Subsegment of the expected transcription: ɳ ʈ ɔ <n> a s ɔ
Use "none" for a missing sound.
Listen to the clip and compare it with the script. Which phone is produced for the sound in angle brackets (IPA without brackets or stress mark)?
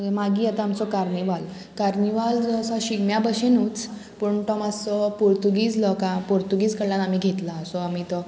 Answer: m